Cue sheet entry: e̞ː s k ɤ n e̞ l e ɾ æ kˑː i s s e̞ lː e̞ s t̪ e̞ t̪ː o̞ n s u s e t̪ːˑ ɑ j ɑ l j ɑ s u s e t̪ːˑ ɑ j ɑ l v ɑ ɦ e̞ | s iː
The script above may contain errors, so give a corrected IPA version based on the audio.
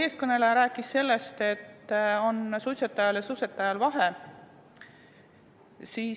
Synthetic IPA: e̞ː s k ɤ n e̞ l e ɾ æː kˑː i s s e̞ lː e̞ s t̪ e̞ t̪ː o̞ n s u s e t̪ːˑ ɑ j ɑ l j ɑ s u s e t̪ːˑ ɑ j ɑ l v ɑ ɦ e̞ | s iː

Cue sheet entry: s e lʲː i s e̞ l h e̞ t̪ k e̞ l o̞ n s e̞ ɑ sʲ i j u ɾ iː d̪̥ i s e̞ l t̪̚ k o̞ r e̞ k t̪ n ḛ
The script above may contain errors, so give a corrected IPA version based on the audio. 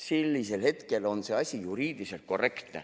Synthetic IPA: s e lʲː i s e̞ l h e̞ t̪ k e̞ l o̞ n s e̞ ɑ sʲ i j u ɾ iː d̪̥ i s e̞ l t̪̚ k o̞ r e̞ k t̪ n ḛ

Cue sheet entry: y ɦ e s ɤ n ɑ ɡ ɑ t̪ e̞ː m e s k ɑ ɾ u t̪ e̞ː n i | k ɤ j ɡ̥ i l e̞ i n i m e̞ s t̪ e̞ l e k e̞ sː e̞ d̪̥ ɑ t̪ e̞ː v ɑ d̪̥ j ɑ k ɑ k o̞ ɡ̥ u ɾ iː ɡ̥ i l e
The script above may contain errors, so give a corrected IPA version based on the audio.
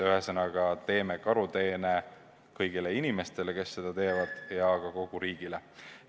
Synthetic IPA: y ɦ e s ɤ n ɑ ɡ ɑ t̪ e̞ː m e k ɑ ɾ u t̪ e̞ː n e | k ɤ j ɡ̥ i l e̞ i n i m e̞ s t̪ e̞ l e k e̞ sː e̞ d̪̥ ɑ t̪ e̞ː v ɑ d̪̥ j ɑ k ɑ k o̞ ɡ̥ u ɾ iː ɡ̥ i l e

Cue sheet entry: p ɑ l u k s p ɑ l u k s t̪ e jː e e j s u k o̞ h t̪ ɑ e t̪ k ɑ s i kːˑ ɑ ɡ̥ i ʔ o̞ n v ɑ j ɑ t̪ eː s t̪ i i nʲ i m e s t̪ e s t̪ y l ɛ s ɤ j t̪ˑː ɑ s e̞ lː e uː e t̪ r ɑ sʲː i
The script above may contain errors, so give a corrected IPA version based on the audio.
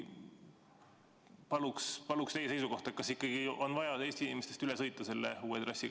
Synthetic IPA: p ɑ l u k s p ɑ l u k s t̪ e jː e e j s u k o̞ h t̪ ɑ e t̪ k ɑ s i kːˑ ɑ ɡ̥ i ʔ o̞ n v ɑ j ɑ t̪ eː s t̪ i i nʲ i m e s t̪ e s t̪ y l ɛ s ɤ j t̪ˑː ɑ s e̞ lː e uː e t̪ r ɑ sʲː i

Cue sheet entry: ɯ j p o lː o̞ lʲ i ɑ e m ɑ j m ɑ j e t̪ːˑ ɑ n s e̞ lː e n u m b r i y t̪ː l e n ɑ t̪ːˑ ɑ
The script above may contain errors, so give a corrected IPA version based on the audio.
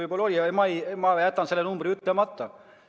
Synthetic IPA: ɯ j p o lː o̞ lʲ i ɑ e m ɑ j m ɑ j æ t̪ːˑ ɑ n s e̞ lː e n u m b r i y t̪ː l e m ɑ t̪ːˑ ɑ

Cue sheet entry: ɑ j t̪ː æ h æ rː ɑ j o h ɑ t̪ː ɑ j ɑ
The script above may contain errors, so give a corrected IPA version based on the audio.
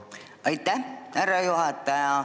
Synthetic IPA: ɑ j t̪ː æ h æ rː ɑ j u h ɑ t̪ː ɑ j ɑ

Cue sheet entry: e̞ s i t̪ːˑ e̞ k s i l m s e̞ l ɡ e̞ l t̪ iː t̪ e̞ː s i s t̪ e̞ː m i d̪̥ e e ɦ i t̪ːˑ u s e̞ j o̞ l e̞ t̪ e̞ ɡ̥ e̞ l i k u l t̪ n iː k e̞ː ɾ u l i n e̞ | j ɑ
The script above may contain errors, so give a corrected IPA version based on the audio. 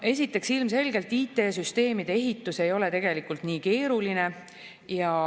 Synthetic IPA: e̞ s i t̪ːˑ e̞ k s i l m s e̞ l ɡ e̞ l t̪ iː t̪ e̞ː s y s t̪ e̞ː m i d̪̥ e e ɦ i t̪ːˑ u s e̞ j o̞ l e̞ t̪ e̞ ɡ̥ e̞ l i k u l t̪ n iː k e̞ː ɾ u l i n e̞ | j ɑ

